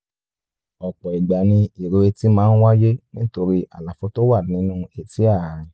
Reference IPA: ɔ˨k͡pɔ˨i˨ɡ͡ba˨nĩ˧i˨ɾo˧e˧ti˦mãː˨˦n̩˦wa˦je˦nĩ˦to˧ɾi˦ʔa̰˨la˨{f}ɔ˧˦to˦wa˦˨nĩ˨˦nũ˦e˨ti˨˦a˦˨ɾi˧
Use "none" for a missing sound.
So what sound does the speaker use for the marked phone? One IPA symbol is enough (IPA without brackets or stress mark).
f